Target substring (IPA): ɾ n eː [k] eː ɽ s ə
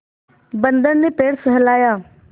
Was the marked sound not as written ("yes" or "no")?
yes